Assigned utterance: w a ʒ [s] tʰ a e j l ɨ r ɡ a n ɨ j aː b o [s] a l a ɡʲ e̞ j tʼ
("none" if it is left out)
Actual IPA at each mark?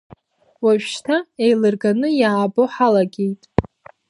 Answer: ʃ, ħ

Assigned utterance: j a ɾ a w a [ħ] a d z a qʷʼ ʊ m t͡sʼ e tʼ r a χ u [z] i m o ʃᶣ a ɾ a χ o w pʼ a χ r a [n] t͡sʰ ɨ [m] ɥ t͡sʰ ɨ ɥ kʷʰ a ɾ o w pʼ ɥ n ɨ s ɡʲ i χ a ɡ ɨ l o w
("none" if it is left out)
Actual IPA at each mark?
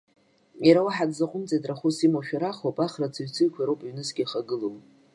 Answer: ħ, s, none, none

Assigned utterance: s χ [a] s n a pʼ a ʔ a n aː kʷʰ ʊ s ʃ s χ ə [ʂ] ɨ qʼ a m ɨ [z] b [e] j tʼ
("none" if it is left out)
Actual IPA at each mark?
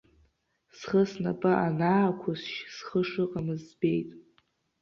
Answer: ə, ʂ, z, e

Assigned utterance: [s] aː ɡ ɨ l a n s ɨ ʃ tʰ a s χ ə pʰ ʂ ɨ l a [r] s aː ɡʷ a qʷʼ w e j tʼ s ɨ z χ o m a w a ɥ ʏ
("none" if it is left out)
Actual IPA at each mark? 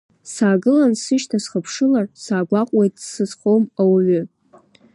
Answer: s, r

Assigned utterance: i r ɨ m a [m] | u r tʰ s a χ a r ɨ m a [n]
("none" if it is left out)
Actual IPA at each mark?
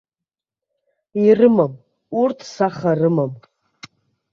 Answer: m, m

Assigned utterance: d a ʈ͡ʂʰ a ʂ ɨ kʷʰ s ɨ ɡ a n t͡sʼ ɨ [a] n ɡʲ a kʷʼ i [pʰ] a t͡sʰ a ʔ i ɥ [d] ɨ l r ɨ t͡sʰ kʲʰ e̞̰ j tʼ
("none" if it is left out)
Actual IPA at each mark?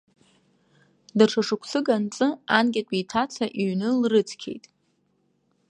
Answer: a, tʰ, n

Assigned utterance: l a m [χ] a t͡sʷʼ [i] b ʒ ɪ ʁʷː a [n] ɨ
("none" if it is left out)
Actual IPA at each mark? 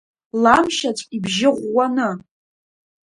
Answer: ʃ, i, n

